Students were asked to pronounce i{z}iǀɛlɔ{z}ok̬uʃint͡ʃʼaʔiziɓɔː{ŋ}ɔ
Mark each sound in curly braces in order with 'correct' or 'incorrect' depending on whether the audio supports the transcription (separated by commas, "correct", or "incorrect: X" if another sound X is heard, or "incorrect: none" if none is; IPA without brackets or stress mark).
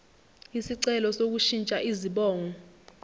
incorrect: s, incorrect: s, correct